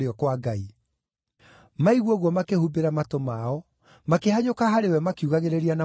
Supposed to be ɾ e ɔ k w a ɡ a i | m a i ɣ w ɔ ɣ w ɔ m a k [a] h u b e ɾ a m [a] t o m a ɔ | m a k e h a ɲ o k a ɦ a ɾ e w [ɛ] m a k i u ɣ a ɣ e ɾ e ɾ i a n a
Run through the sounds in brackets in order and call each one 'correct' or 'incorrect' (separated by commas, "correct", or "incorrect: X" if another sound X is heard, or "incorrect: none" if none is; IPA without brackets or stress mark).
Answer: incorrect: e, correct, correct